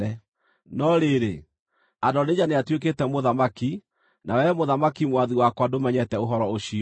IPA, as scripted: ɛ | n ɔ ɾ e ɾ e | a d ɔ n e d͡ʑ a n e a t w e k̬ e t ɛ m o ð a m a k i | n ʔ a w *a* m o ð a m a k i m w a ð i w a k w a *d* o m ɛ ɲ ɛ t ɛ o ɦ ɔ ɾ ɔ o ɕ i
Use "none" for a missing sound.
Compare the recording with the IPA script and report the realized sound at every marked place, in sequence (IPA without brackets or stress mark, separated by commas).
ɛ, d